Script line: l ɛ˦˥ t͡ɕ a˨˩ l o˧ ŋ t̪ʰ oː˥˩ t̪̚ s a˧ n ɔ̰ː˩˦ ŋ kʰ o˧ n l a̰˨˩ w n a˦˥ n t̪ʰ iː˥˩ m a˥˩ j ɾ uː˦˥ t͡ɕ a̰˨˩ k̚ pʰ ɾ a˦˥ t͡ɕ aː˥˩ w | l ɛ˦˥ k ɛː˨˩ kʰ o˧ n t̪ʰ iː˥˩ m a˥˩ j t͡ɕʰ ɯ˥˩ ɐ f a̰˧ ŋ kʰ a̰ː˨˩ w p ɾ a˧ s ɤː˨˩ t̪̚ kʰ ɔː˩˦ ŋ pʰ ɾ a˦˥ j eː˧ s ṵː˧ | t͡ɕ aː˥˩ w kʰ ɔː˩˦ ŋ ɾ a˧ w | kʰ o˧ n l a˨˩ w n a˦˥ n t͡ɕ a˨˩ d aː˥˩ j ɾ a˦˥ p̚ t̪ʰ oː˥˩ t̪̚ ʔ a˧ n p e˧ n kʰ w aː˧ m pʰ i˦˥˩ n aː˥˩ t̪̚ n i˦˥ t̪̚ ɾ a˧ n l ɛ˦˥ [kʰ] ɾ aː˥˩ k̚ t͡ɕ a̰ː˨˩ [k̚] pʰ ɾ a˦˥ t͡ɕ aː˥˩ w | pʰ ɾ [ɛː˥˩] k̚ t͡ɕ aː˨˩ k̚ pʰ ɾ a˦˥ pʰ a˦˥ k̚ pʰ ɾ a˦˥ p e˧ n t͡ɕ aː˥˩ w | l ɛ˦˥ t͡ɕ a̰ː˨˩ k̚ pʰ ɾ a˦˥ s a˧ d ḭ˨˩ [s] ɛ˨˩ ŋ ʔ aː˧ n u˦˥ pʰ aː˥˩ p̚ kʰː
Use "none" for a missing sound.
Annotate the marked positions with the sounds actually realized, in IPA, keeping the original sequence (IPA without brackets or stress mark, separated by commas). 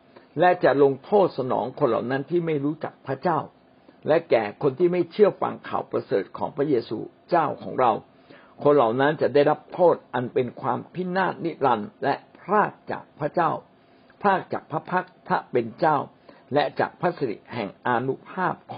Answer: pʰ, k̚, aː˥˩, h